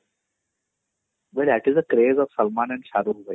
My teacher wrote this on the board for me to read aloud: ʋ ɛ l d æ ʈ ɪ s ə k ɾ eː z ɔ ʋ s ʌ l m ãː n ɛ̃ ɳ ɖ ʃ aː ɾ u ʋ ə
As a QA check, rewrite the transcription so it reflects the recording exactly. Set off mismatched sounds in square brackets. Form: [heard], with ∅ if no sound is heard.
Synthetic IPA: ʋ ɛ l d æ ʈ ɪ [z] ə k ɾ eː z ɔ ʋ s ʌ l m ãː n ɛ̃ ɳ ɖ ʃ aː ɾ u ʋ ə

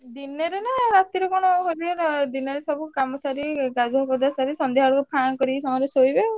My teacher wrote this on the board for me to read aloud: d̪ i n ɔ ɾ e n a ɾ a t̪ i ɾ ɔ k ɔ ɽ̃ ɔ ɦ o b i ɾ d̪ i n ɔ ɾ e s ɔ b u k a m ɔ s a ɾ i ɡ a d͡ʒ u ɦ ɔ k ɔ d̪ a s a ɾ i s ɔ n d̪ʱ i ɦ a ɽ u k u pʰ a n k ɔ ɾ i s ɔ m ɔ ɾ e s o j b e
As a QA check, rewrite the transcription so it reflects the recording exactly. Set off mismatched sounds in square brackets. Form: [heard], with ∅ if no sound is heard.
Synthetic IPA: d̪ i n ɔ ɾ e n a ɾ a t̪ i ɾ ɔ k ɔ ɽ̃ ɔ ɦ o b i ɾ d̪ i n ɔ ɾ e s ɔ b u k a m ɔ s a ɾ i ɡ a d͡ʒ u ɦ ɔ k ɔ d̪ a s a ɾ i s ɔ n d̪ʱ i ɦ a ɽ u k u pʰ a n k ɔ ɾ i s ɔ m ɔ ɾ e s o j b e

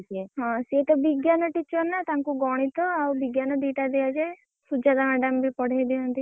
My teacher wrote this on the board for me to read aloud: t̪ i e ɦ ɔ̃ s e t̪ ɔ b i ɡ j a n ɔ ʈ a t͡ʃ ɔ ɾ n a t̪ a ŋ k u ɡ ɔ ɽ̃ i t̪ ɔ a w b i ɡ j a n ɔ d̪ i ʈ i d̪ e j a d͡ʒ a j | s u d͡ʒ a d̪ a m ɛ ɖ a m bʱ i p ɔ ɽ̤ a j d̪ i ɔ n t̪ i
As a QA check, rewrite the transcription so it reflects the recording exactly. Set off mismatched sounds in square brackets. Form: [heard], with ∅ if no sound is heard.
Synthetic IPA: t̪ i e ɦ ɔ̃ s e t̪ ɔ b i ɡ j a n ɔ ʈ [i] t͡ʃ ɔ ɾ n a t̪ a ŋ k u ɡ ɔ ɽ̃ i t̪ ɔ a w b i ɡ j a n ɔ d̪ i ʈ [a] d̪ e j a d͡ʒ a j | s u d͡ʒ a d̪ a m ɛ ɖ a m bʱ i p ɔ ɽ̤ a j d̪ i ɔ n t̪ i

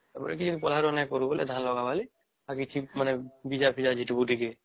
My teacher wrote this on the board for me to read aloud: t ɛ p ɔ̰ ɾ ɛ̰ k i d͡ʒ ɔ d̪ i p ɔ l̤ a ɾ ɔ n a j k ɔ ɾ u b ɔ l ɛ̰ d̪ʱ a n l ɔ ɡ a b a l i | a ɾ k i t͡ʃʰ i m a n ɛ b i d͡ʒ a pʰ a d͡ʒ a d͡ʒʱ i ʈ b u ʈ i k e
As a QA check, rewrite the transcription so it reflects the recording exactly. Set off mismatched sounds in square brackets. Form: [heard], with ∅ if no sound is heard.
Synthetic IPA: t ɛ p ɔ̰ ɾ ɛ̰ k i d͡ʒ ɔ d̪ i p ɔ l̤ a ɾ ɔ n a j k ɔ ɾ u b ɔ l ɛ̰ d̪ʱ a n l ɔ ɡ a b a l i | a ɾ k i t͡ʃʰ i m a n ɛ b i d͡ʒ a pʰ [i] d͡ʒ a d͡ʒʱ i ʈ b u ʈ i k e

